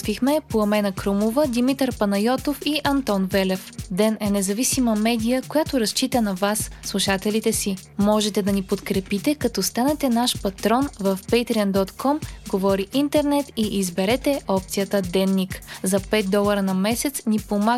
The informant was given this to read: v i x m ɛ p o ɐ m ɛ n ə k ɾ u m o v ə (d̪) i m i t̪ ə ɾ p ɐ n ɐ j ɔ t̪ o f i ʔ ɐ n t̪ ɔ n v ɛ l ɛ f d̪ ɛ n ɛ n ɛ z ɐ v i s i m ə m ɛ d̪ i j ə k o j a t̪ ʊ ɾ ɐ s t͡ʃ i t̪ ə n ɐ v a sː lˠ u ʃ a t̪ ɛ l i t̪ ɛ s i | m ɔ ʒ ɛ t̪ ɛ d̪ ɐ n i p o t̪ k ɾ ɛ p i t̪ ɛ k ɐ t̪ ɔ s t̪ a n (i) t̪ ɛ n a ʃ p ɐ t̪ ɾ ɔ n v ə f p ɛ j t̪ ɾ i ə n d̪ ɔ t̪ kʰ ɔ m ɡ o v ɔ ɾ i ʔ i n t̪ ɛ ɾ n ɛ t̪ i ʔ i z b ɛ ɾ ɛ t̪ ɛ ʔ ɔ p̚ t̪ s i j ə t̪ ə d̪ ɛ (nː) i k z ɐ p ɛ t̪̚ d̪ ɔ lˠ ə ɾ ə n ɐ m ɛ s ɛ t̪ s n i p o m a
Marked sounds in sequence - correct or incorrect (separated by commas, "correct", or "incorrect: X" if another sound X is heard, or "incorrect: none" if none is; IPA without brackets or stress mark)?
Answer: correct, incorrect: ɛ, correct